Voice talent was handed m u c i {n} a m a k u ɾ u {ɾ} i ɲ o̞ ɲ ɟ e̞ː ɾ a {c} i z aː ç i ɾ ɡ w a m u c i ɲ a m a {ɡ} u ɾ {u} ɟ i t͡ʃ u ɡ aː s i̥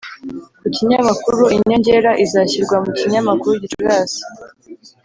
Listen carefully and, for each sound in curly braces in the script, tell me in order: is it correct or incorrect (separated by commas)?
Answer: incorrect, incorrect, incorrect, incorrect, correct